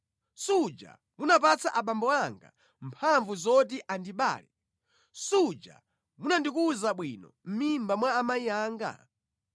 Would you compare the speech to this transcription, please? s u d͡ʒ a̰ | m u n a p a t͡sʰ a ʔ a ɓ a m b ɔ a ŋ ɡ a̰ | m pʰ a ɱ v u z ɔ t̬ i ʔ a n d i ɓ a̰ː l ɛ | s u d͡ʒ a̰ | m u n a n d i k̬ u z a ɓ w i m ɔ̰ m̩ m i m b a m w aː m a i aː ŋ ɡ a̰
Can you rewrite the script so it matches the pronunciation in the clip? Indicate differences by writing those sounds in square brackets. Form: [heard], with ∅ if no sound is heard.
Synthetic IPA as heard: s u d͡ʒ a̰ | m u n a p a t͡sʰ a ʔ a ɓ a m b ɔ a ŋ ɡ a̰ | m pʰ a ɱ v u z ɔ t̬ i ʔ a n d i ɓ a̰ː l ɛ | s u d͡ʒ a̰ | m u n a n d i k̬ u z a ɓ w i [n] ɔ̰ m̩ m i m b a m w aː m a i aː ŋ ɡ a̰